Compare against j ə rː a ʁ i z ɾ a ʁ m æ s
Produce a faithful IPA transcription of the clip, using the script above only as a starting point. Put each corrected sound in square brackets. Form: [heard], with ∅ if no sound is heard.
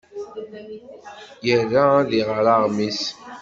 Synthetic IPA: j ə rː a [ð] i [ʁ] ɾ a ʁ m [i] s